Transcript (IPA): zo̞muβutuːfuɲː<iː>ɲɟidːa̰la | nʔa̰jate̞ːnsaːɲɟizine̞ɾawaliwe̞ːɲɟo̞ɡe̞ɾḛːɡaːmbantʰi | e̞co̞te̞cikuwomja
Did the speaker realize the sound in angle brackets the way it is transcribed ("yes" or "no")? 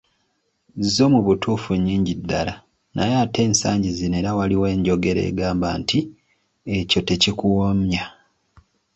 yes